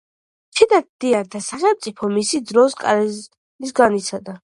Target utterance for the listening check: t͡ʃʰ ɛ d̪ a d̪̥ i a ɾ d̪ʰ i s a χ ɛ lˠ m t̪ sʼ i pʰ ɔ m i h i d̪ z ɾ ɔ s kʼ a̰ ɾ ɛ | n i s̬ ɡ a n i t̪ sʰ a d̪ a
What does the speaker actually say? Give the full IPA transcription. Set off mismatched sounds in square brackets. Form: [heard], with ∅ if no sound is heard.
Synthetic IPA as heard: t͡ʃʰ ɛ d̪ a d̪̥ i a ɾ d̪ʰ [a] s a χ ɛ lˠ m t̪ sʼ i pʰ ɔ m i [s] i d̪ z ɾ ɔ s kʼ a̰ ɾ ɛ | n i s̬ ɡ a n i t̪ sʰ a d̪ a